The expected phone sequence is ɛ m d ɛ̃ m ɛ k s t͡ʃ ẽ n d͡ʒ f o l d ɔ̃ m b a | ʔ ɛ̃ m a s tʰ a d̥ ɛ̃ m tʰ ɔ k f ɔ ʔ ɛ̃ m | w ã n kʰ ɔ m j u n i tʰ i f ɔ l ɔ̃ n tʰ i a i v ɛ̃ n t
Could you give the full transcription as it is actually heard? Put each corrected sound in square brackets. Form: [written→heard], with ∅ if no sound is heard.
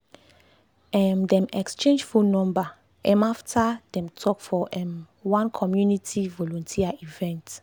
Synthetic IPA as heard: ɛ m d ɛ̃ m ɛ k s t͡ʃ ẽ n d͡ʒ f [o→u] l [d→n] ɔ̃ m b a | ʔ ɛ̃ m a [s→f] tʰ a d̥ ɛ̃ m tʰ ɔ k f ɔ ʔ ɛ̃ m | w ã n kʰ ɔ m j u n i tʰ i [f→v] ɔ l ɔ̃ n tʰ i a i v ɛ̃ n t